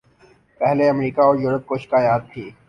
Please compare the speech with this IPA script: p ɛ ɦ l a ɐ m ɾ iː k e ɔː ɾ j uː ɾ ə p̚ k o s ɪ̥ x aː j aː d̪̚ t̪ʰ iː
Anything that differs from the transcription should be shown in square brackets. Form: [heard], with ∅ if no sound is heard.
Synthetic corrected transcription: p ɛ ɦ l [e] ɐ m ɾ iː k [a] ɔː ɾ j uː ɾ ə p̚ k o [ʃ] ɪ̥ [k] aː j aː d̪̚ t̪ʰ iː